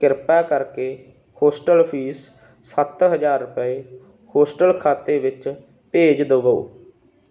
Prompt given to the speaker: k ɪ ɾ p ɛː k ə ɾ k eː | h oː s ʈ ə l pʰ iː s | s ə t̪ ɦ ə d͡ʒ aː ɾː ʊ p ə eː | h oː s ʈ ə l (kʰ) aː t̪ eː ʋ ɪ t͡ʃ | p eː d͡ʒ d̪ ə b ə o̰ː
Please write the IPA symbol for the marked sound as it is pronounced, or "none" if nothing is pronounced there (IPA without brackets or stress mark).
kʰ